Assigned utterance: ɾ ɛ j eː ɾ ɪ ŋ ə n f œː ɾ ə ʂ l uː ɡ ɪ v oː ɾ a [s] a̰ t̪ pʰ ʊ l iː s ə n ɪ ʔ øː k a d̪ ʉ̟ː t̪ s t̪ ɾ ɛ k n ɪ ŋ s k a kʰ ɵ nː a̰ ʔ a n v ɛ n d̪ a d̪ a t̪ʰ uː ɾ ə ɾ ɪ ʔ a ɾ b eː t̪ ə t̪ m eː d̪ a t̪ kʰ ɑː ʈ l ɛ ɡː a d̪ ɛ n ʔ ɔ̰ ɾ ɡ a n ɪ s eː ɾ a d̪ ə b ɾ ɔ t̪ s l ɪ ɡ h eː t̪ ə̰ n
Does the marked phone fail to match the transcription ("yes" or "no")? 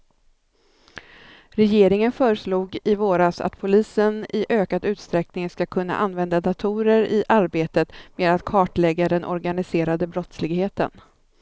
no